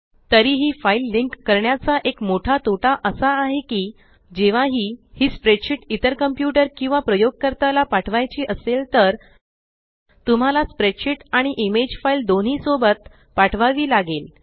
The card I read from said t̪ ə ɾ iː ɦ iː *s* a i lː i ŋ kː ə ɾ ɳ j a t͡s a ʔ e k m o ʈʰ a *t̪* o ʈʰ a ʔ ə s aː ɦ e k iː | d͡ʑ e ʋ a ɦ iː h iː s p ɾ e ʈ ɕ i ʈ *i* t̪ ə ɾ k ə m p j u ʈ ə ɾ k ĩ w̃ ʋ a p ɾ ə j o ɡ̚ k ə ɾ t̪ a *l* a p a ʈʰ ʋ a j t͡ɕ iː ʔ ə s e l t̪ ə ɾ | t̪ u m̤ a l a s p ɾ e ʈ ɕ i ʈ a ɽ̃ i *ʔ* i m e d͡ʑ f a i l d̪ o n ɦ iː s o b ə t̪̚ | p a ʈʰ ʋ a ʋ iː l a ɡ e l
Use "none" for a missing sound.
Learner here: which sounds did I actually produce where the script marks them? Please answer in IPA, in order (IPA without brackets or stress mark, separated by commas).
f, t̪, i, l, ʔ